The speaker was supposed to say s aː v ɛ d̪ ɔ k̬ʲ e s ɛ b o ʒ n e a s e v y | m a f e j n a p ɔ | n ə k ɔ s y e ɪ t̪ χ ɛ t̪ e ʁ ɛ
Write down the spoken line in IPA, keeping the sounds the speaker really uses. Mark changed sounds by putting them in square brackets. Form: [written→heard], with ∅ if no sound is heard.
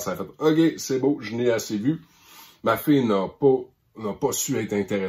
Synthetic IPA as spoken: s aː [v→f] ɛ [d̪→t̪] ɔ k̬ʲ e s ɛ b o ʒ n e a s e v y | m a f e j n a p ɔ | n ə [k→p] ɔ s y [e→ɛ] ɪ t̪ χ [ɛ→ɛ̃] t̪ e ʁ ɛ